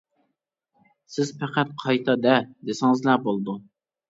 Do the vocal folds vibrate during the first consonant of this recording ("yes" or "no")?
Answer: no